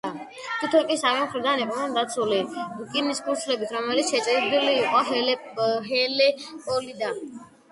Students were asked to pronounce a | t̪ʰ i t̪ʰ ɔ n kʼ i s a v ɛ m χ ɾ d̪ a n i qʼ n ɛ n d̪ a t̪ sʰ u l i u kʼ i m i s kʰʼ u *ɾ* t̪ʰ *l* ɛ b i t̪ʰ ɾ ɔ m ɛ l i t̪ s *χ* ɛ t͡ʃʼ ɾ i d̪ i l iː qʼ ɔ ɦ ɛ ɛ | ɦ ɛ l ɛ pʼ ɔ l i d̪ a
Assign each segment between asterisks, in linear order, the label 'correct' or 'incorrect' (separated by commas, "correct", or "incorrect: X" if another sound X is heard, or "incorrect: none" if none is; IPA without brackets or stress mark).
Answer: correct, correct, incorrect: ʃ